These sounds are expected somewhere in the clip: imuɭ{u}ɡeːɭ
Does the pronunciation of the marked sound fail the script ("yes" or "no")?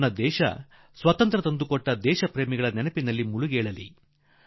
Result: no